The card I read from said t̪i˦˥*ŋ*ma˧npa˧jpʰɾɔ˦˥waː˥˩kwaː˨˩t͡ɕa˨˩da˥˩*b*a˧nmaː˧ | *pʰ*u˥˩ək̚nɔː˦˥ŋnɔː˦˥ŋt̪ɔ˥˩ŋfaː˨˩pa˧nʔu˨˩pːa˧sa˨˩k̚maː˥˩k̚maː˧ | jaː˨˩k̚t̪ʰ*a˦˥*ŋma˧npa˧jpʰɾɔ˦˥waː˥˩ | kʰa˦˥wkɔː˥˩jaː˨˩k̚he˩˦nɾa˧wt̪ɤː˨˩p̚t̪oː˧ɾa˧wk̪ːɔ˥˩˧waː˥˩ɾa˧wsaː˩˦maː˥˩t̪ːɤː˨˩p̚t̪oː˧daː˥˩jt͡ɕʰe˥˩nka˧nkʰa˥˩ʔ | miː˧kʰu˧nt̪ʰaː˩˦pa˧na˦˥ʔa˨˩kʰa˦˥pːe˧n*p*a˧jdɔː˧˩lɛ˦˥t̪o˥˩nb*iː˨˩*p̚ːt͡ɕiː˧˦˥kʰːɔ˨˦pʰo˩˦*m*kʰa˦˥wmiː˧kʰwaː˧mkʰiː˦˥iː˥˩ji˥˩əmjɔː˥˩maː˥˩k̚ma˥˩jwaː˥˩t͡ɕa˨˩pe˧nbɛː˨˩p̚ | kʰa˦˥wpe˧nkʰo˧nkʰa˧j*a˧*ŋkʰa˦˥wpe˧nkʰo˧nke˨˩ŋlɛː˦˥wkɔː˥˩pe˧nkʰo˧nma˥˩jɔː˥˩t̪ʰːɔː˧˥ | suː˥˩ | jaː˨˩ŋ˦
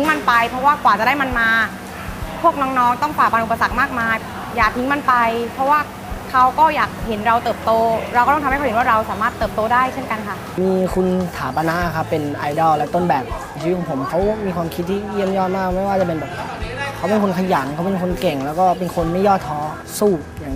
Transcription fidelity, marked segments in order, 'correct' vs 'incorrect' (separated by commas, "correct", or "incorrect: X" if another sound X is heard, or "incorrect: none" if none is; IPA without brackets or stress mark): correct, incorrect: m, correct, incorrect: i˦˥, incorrect: ʔ, incorrect: ɛː˨˩, correct, incorrect: a˩˦